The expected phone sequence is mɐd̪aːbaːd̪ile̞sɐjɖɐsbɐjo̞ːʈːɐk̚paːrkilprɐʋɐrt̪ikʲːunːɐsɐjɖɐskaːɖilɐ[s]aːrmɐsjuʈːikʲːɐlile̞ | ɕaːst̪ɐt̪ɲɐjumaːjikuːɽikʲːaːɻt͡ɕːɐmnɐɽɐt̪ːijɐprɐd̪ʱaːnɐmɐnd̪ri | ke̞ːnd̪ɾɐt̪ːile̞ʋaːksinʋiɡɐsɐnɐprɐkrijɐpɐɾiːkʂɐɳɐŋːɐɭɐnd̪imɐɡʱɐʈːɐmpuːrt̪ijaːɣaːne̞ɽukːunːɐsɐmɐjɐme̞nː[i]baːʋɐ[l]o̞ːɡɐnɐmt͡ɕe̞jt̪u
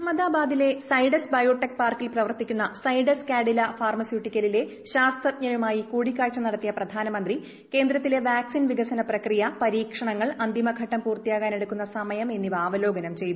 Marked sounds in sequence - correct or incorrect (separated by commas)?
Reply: incorrect, correct, correct